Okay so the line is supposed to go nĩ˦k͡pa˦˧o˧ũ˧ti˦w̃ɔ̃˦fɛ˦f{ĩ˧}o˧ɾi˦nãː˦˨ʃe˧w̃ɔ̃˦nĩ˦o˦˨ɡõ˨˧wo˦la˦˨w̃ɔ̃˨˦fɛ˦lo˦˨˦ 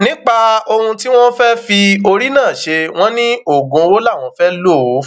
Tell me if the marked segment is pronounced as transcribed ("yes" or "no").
no